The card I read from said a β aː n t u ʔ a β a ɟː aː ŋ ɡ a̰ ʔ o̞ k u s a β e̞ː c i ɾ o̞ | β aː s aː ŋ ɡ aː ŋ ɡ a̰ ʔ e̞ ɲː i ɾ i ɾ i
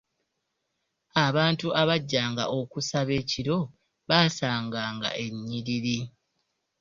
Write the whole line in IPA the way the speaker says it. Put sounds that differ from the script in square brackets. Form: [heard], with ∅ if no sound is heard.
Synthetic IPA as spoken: a β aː n t u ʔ a β a ɟː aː ŋ ɡ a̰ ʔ o̞ k u s a β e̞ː c i ɾ o̞ | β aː s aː ŋ ɡ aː ŋ ɡ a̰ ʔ e̞ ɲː i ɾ i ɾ i

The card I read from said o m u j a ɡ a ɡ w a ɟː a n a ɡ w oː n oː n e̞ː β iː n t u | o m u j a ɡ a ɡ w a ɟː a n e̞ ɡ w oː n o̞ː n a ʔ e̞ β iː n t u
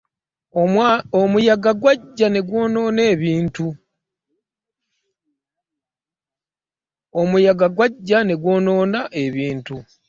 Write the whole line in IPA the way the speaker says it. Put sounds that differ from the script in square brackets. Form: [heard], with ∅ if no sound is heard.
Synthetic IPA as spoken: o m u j a ɡ a ɡ w a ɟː a n [e] ɡ w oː n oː n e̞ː β iː n t u | o m u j a ɡ a ɡ w a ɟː a n e̞ ɡ w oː n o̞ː n a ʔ e̞ β iː n t u

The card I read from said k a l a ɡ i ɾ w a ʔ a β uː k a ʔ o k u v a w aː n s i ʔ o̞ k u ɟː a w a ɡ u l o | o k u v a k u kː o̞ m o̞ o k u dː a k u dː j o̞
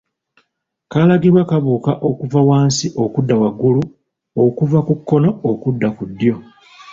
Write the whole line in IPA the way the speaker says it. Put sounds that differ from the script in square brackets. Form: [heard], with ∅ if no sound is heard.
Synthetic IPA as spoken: k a l a ɡ i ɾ w a [k] a β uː k a ʔ o k u v a w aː n s i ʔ o̞ k u [dː] a w a ɡ u l [u] | o k u v a k u kː o̞ [n] o̞ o k u dː a k u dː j o̞

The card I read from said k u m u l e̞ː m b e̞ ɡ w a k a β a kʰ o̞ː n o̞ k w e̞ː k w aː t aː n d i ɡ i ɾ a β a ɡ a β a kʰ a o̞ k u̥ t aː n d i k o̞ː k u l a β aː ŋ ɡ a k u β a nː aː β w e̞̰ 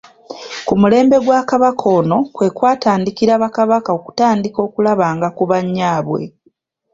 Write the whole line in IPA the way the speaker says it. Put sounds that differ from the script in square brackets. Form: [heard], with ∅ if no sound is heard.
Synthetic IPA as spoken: k u m u l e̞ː m b e̞ ɡ w a k a β a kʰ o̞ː n o̞ k w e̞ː k w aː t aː n d i [k] i ɾ a β a [k] a β a [k] a o̞ k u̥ t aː n d i k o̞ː k u l a β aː ŋ ɡ a k u β a [ɲː] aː β w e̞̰

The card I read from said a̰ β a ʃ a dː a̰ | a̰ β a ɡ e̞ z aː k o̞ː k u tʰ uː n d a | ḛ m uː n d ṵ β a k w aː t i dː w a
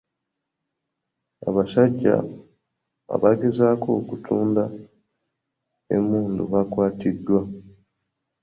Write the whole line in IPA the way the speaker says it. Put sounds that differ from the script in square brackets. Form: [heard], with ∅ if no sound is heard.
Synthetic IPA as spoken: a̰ β a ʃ a [ɟː] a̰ | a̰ β a ɡ e̞ z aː k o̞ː k u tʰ uː n d a | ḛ m uː n d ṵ β a k w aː t i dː w a

